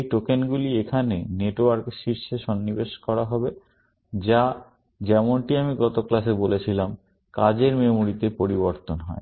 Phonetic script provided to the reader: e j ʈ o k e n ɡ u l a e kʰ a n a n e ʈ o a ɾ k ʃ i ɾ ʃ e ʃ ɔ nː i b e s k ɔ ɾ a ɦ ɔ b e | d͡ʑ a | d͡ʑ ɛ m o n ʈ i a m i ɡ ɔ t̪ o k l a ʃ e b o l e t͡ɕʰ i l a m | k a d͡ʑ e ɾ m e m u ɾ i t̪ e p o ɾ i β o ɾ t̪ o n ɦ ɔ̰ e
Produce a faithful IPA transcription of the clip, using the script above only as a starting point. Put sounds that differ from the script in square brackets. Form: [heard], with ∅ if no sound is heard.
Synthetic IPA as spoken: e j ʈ o k e n ɡ u l [i] e kʰ a n [e] n e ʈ o a ɾ k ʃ i ɾ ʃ e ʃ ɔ nː i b e [ʃ] k ɔ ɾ a ɦ ɔ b e | d͡ʑ a | d͡ʑ ɛ m o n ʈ i a m i ɡ ɔ t̪ o k l a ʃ e b o l e t͡ɕʰ i l a m | k a d͡ʑ e ɾ m e m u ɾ i t̪ e p o ɾ i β o ɾ t̪ o n ɦ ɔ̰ e